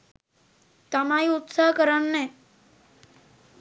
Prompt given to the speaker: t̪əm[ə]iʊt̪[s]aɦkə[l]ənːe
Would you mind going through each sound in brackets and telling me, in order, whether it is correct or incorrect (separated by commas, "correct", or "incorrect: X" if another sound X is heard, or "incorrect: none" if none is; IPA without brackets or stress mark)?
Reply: incorrect: a, correct, incorrect: ɾ